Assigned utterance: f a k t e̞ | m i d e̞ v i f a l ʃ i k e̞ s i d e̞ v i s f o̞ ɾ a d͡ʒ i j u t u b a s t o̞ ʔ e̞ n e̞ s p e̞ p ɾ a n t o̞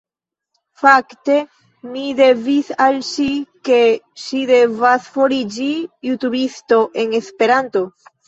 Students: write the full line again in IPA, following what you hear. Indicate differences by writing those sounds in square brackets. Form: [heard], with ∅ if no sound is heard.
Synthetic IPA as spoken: f a k t e̞ | m i d e̞ v i [s] a l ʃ i k e̞ [ʃ] i d e̞ v [a] s f o̞ ɾ [i] d͡ʒ i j u t u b [i] s t o̞ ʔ e̞ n e̞ s p e̞ [∅] ɾ a n t o̞